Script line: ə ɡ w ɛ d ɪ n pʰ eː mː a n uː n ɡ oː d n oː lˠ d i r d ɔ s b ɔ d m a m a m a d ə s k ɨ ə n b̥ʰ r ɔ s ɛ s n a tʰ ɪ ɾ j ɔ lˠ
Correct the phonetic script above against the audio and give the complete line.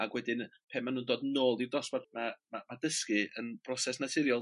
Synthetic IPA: a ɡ w ɛ d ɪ n pʰ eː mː a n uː n d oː d n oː lˠ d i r d ɔ s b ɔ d m a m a m a d ə s k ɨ ə n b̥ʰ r ɔ s ɛ s n a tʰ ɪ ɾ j ɔ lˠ